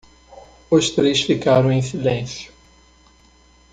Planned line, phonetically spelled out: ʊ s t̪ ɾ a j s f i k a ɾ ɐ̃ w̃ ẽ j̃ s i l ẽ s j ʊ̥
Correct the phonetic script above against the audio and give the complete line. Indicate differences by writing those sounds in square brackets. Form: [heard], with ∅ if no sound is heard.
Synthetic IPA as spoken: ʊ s t̪ ɾ [e] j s f i k a ɾ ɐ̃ w̃ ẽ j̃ s i l ẽ s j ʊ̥